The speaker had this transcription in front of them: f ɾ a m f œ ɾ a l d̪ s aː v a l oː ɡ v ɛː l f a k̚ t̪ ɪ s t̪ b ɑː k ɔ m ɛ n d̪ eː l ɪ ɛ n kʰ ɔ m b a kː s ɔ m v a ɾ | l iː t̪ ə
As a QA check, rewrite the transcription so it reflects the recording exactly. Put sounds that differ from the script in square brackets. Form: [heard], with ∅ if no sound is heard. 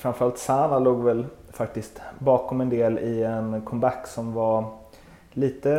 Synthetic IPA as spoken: f ɾ a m f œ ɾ a l [t̪] s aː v a l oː ɡ v [ɛ] l f a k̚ t̪ ɪ s t̪ b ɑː k ɔ m ɛ n d̪ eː l ɪ ɛ n kʰ ɔ m b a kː s ɔ m v a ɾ | l iː t̪ ə